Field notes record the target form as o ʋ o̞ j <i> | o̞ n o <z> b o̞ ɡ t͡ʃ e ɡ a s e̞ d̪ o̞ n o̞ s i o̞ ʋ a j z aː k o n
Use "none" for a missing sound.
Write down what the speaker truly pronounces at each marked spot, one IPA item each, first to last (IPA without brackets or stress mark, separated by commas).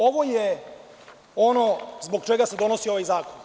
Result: e, z